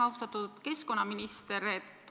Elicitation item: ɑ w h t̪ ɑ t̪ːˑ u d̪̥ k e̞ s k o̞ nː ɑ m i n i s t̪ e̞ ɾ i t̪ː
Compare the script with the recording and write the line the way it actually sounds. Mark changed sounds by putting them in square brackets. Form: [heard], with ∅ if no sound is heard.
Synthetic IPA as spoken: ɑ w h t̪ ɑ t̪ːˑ u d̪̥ k e̞ s k o̞ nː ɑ m i n i s t̪ e̞ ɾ [e] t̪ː